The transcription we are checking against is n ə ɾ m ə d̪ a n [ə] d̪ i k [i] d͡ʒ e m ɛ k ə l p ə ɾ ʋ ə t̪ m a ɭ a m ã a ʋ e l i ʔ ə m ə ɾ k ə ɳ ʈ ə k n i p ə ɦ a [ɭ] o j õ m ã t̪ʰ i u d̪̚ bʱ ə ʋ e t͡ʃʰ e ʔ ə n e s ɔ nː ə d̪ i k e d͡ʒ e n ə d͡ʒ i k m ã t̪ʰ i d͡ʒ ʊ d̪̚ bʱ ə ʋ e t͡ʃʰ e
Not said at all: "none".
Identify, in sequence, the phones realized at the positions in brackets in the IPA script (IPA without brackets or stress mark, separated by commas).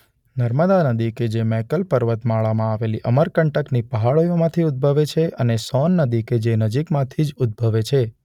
ə, e, ɭ